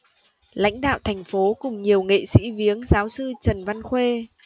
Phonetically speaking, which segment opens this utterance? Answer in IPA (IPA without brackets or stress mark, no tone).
l